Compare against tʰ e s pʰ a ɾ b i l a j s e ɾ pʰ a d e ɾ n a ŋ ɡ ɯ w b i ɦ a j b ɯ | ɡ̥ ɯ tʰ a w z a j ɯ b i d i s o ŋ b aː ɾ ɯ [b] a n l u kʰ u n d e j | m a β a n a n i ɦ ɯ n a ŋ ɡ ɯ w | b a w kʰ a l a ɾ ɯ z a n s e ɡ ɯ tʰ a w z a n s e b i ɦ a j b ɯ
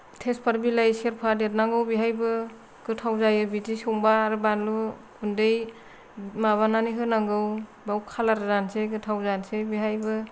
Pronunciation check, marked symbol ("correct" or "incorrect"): correct